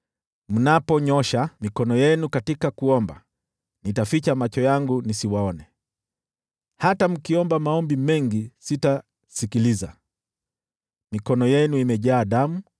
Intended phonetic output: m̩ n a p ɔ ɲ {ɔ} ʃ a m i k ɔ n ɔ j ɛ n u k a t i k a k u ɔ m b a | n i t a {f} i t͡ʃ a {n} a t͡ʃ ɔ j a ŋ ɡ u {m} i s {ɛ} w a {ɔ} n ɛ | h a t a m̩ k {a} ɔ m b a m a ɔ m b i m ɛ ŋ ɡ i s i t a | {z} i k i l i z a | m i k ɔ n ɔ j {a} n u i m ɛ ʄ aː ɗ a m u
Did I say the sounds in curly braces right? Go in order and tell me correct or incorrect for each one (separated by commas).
correct, correct, incorrect, incorrect, incorrect, correct, incorrect, incorrect, incorrect